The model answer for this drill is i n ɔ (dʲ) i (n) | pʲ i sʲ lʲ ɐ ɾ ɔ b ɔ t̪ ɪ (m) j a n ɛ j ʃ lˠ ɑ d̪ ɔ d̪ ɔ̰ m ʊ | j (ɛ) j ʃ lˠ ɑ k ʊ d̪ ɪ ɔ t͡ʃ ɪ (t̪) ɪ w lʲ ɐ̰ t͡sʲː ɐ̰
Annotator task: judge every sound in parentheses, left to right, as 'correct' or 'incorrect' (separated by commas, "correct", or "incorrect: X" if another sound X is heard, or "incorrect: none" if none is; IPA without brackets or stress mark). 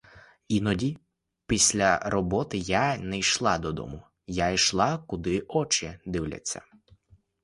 correct, incorrect: none, incorrect: none, incorrect: a, incorrect: d̪